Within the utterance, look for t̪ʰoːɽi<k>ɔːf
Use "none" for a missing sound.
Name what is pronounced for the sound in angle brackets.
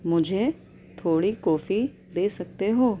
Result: k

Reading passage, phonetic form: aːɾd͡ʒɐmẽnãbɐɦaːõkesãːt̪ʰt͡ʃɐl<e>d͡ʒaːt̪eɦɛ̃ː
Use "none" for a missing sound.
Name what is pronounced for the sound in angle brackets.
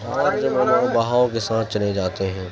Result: e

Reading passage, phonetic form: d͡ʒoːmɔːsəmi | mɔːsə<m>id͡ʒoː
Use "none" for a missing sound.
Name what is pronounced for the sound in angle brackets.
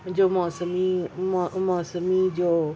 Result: m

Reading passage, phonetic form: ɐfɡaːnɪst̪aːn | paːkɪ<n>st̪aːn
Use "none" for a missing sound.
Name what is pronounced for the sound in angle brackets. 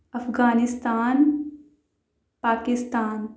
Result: none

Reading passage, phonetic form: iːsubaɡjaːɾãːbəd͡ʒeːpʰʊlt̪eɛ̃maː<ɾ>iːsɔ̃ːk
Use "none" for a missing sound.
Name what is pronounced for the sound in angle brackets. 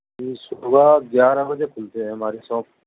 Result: ɾ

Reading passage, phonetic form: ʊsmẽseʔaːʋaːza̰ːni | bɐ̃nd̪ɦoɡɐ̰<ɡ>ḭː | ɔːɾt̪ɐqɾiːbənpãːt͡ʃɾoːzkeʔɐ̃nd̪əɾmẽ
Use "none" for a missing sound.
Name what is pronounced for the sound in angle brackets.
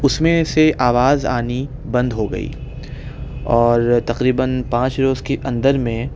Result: none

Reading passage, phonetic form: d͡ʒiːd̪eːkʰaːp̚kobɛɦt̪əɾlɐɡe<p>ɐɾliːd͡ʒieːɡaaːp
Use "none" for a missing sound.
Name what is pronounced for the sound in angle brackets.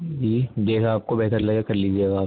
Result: k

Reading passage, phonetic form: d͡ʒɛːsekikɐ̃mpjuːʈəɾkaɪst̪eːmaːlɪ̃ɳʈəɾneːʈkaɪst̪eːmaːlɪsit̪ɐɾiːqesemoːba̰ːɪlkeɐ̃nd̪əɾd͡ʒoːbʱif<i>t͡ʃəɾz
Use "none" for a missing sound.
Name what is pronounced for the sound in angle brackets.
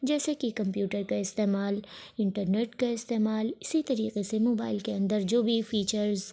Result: iː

